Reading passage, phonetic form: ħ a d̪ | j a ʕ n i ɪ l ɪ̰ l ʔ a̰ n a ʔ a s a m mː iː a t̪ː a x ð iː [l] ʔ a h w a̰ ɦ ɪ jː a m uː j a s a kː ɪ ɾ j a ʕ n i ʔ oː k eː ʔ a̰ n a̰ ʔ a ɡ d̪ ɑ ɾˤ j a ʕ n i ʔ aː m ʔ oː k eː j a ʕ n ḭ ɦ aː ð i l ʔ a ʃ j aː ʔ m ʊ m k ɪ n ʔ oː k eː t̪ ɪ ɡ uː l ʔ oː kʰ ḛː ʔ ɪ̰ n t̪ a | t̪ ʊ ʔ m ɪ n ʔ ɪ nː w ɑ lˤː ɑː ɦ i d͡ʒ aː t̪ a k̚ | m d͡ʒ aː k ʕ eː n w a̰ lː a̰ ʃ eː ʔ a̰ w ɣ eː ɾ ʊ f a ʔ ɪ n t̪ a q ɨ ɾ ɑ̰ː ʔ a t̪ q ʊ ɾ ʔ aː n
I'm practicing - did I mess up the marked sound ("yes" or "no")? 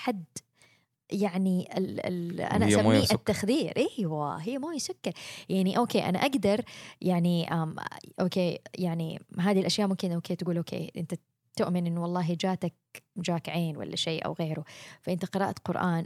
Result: yes